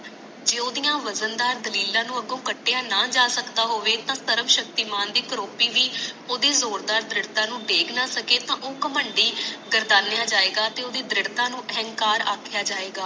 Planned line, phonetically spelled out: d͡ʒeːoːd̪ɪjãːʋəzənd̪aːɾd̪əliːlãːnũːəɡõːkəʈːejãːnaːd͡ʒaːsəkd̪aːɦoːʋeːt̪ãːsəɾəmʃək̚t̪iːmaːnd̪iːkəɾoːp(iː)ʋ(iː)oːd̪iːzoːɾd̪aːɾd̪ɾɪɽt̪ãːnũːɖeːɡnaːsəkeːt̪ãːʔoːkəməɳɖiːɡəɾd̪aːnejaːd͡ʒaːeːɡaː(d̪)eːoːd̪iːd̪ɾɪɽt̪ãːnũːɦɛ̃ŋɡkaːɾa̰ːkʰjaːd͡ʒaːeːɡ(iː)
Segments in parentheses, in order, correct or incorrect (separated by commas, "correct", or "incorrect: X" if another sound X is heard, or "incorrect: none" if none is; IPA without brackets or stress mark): correct, correct, incorrect: t̪, incorrect: aː